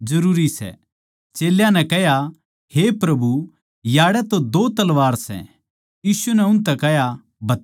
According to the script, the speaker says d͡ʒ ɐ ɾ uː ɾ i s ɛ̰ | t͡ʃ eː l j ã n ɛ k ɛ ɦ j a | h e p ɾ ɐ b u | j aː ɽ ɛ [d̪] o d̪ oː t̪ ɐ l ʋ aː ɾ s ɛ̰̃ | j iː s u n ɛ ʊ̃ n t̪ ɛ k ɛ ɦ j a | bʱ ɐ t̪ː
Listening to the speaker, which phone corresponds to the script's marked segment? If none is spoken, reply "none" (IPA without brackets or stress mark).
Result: t̪